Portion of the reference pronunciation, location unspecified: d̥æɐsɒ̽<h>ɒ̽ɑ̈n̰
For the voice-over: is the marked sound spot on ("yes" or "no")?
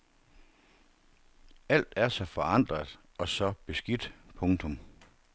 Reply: no